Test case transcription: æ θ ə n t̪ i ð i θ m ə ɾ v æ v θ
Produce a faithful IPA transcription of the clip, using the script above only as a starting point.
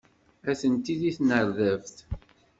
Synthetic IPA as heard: æ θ ə n t̪ i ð i θ n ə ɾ ð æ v θ